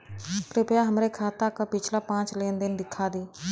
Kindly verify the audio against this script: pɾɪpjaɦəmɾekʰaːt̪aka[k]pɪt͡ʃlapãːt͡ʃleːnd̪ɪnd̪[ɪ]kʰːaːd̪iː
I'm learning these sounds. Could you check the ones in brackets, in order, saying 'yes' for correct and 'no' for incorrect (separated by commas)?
no, yes